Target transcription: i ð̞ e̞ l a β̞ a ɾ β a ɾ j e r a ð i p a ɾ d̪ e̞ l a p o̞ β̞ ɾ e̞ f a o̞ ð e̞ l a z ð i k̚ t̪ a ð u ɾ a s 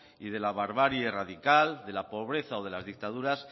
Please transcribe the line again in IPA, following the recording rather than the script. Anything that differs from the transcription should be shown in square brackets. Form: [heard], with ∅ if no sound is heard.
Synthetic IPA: i ð̞ e̞ l a β̞ a ɾ β a ɾ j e r a ð i [k] a [l] d̪ e̞ l a p o̞ β̞ ɾ e̞ [θ] a o̞ ð e̞ l a z ð i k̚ t̪ a ð u ɾ a s

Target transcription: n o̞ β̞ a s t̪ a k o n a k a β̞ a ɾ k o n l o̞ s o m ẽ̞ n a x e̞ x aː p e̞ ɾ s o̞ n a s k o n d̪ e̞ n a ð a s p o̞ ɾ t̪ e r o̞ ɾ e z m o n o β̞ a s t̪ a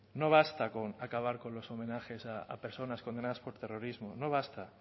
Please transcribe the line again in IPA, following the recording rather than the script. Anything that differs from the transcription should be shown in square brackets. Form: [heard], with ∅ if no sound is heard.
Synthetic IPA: n o̞ β̞ a s t̪ a k o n a k a β̞ a ɾ k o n l o̞ s o m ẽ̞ n a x e̞ [s] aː p e̞ ɾ s o̞ n a s k o n d̪ e̞ n a ð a s p o̞ ɾ t̪ e r o̞ ɾ [i] z m o n o β̞ a s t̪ a

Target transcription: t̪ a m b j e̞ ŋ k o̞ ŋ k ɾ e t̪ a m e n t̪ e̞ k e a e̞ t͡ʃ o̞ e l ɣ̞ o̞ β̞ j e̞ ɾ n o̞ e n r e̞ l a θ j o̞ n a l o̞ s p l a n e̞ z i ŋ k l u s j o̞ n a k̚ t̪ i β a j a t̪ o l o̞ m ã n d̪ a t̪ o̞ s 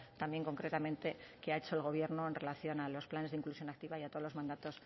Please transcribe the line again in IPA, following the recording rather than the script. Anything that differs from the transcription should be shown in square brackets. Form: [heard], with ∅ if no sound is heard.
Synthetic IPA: t̪ a m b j e̞ ŋ k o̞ ŋ k ɾ e t̪ a m [ẽ] n t̪ e̞ k e a e̞ t͡ʃ o̞ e l ɣ̞ o̞ β̞ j e̞ ɾ n o̞ e n r e̞ l a θ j o̞ n a l o̞ s p l a n e̞ z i ŋ k l u s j o̞ n a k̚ t̪ i β a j a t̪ o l o̞ m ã n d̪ a t̪ o̞ s

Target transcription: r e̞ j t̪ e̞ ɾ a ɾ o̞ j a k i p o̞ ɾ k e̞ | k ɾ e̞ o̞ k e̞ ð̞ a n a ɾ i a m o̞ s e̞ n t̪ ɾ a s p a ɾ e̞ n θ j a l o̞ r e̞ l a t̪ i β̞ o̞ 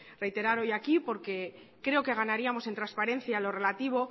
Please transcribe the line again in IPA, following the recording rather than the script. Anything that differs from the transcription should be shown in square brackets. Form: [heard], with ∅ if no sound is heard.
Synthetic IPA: r e̞ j t̪ e̞ ɾ a ɾ o̞ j a k i p o̞ ɾ k e̞ | k ɾ e̞ o̞ k e̞ [ɣ̞] a n a ɾ i a m o̞ s e̞ n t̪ ɾ a s p a ɾ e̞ n θ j a l o̞ r e̞ l a t̪ i β̞ o̞

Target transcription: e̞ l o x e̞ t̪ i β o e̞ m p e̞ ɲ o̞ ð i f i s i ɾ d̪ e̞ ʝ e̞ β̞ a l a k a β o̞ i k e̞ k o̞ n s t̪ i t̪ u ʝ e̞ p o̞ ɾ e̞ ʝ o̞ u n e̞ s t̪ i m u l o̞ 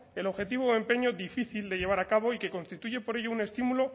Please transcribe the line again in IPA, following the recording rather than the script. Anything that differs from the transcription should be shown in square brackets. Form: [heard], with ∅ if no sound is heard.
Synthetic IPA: e̞ l o x e̞ t̪ i β o e̞ m p e̞ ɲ o̞ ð i f i [θ] i [l] d̪ e̞ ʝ e̞ β̞ a [ɾ] a k a β o̞ i k e̞ k o̞ n s t̪ i t̪ u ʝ e̞ p o̞ ɾ e̞ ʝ o̞ u n e̞ s t̪ i m u l o̞

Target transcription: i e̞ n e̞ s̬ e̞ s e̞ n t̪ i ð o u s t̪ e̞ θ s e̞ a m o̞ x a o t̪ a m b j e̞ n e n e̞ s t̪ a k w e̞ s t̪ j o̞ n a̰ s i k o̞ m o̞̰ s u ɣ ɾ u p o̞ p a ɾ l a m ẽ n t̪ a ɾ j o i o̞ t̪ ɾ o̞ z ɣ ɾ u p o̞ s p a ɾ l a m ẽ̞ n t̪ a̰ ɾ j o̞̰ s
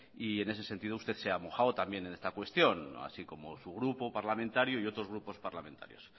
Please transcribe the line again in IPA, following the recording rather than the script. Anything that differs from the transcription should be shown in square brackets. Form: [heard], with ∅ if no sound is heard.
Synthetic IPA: i e̞ n e̞ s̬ e̞ s e̞ n t̪ i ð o u s t̪ e̞ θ s e̞ a m o̞ x a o t̪ a m b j e̞ n e n e̞ s t̪ a k w e̞ s t̪ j o̞ n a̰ s i k o̞ m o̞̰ s u ɣ ɾ u p o̞ p a ɾ l a m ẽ n t̪ a ɾ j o i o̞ t̪ ɾ o̞ z ɣ ɾ u p o̞ s p a ɾ l a m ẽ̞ n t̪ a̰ ɾ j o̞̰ s

